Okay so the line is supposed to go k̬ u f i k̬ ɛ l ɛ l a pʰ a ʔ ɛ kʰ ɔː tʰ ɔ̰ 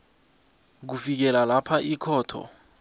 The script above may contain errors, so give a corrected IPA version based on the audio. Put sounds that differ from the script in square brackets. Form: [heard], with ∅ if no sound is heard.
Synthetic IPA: k̬ u f i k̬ ɛ l [a] l a pʰ a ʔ [i] kʰ ɔː tʰ ɔ̰

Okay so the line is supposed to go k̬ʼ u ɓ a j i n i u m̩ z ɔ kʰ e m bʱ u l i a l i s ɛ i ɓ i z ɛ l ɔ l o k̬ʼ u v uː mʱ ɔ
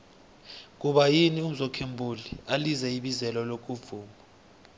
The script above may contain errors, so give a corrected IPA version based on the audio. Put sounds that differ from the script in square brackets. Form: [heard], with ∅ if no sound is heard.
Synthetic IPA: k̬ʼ u ɓ a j i n i u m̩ z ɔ kʰ e m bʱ u l i a l i [z] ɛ i ɓ i z ɛ l ɔ l o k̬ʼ u v uː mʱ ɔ

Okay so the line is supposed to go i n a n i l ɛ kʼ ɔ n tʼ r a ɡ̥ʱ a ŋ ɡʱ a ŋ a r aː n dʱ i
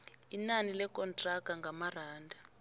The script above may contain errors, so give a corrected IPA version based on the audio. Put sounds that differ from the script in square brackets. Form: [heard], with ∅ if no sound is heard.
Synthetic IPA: i n a n i l ɛ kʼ ɔ n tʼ r a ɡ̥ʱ a ŋ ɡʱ a [m] a r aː n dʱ [a]

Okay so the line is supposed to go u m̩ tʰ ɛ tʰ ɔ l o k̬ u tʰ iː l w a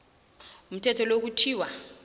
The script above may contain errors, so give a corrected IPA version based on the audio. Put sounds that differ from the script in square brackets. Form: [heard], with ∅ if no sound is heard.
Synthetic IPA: u m̩ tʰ ɛ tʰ ɔ l o k̬ u tʰ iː [∅] w a

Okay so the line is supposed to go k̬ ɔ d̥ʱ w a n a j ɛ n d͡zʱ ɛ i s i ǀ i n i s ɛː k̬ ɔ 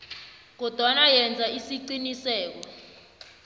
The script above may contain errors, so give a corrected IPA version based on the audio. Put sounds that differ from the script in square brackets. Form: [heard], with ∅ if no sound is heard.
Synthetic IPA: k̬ ɔ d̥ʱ w a n a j ɛ n d͡zʱ [a] i s i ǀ i n i s ɛː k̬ ɔ

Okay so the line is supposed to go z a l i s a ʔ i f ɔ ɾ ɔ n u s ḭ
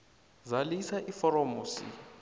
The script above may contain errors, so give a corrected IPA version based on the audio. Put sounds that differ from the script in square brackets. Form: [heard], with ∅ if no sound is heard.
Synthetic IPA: z a l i s a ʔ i f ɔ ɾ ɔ [m] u s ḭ

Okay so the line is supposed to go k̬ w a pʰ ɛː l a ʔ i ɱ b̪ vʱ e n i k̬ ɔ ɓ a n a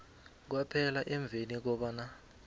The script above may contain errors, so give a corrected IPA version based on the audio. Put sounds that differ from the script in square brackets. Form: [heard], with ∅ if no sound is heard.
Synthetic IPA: k̬ w a pʰ [ɛ] l a ʔ [ɛ] ɱ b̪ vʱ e n i k̬ ɔ ɓ a n a

